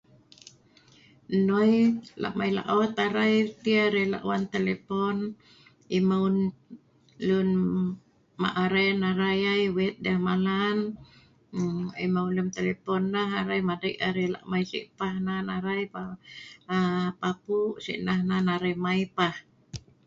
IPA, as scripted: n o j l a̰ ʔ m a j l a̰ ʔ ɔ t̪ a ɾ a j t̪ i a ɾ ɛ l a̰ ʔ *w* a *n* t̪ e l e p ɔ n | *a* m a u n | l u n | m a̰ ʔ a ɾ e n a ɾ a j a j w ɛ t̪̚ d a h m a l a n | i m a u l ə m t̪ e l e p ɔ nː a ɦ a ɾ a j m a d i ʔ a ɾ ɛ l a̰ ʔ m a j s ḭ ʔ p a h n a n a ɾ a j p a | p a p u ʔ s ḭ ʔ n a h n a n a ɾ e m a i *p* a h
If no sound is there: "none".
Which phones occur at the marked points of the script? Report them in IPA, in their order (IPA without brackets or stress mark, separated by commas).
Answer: w, n, i, p